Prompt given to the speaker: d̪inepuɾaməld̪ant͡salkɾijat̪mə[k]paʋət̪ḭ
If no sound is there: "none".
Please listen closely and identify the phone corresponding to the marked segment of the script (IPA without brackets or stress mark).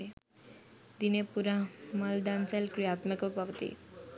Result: k